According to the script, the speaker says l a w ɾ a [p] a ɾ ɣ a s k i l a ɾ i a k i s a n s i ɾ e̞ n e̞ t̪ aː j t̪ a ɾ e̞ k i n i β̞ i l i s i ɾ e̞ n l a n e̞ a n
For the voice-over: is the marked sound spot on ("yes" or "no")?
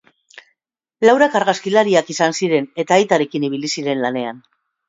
no